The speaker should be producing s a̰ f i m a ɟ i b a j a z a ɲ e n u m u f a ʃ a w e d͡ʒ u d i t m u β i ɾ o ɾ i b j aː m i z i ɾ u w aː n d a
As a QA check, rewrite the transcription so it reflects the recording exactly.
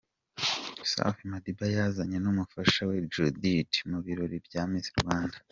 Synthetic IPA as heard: s a̰ f i m a d i b a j a z a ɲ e n u m u f a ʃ a w e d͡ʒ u d i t m u β i ɾ o ɾ i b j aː m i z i ɾ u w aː n d a